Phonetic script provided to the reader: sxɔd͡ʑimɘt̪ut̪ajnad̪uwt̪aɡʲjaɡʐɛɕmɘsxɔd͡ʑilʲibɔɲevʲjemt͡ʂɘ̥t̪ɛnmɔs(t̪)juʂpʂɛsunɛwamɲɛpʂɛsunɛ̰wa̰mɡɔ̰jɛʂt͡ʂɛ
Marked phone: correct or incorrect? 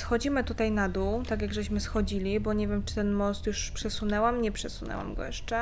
correct